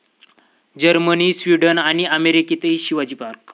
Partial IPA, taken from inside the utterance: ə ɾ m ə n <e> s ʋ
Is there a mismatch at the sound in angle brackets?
yes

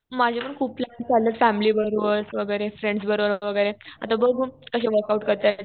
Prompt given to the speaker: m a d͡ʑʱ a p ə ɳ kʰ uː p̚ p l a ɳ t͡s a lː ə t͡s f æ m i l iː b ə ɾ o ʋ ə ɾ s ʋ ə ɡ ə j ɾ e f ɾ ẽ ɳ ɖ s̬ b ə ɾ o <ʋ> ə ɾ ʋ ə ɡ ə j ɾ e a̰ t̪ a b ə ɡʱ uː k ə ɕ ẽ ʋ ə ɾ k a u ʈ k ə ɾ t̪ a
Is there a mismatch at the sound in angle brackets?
no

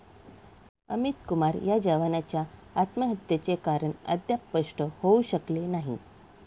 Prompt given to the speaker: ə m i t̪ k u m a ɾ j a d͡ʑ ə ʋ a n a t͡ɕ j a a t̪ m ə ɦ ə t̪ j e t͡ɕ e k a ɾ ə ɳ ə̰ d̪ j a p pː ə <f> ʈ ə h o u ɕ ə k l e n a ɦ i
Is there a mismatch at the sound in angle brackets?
yes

